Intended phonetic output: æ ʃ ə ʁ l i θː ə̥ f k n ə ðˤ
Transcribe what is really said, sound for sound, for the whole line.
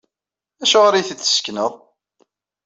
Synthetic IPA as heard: æ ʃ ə ʁ ɾ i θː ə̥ s k n ə ðˤ